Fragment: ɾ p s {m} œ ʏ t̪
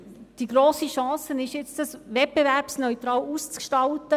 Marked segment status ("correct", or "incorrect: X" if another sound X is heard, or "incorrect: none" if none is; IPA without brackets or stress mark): incorrect: n